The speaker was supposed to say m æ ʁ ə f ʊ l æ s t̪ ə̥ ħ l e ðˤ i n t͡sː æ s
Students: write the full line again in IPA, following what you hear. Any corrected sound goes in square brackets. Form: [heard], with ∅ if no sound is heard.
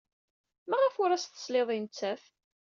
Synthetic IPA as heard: m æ ʁ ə f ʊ [ɾ] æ s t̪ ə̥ [s] l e ðˤ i n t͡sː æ [f]